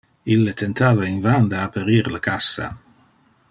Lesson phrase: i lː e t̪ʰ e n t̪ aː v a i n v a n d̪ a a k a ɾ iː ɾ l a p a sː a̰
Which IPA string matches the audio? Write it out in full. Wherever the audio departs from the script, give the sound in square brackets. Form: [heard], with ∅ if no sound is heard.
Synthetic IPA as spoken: i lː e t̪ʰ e n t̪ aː v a i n v a n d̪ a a [p] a ɾ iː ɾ l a [k] a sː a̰